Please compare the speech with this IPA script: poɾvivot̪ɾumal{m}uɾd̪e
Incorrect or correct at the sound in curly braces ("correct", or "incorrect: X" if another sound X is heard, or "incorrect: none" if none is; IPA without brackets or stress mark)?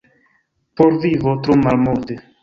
correct